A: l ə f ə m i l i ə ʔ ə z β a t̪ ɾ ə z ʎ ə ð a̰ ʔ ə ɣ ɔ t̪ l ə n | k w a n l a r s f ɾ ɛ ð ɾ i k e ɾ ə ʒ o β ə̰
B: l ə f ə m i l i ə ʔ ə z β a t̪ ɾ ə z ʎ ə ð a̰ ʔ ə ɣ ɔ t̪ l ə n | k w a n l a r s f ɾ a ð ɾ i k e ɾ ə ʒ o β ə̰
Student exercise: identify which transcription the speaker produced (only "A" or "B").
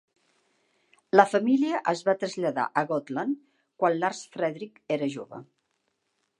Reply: A